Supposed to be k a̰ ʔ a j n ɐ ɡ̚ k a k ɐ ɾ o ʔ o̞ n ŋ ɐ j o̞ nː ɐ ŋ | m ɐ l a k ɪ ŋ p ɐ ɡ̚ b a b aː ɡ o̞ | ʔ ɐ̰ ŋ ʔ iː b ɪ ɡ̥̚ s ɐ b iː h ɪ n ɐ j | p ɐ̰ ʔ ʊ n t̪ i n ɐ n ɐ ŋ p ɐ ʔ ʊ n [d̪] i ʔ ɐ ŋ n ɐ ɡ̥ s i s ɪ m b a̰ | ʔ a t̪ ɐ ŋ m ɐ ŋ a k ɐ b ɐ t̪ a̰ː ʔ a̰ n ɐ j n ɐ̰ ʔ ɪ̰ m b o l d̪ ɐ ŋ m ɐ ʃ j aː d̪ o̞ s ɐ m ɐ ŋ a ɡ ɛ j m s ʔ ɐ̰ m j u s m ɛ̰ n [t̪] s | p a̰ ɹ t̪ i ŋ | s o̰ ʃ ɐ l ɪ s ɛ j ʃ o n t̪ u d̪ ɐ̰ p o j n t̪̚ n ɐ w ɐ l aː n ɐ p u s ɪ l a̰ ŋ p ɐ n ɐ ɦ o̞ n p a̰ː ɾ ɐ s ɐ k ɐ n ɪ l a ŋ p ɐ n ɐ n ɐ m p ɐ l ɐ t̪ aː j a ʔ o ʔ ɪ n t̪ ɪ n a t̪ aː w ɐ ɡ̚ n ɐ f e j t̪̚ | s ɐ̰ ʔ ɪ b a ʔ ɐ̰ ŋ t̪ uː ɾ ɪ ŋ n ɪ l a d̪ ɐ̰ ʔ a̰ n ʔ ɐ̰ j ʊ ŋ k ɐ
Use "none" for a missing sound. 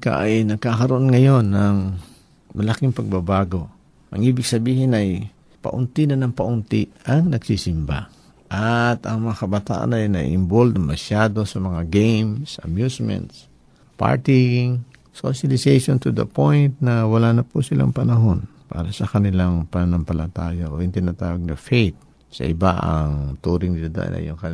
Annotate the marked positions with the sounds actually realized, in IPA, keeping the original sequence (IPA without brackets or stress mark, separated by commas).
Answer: t̪, t̪